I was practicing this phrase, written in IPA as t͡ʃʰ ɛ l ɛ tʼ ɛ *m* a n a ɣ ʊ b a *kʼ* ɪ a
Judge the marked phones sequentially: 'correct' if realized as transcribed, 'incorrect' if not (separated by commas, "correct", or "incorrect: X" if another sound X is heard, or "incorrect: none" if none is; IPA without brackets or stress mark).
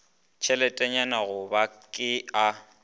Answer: incorrect: ɲ, correct